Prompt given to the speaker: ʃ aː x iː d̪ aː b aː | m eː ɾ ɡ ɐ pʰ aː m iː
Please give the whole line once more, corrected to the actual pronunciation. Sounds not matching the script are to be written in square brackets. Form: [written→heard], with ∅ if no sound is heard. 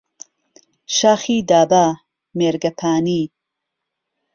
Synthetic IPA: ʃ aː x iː d̪ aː b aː | m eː ɾ ɡ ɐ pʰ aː [m→n] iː